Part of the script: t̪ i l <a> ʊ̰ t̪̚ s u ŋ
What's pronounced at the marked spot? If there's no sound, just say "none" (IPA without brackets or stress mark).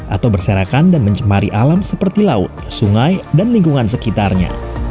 a